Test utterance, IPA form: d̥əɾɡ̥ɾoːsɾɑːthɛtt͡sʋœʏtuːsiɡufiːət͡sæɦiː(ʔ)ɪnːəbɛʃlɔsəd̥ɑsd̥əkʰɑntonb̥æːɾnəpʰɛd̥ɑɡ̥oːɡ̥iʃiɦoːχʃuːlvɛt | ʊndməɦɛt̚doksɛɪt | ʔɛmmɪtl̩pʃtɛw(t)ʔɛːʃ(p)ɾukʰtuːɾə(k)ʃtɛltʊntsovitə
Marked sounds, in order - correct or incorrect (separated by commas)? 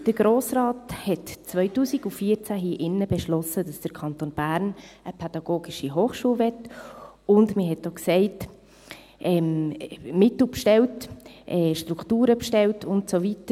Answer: correct, correct, incorrect, incorrect